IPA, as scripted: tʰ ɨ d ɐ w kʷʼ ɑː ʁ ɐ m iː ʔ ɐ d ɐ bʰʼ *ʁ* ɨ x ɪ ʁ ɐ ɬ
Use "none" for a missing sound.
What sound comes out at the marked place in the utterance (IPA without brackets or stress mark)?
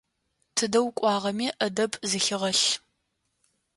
z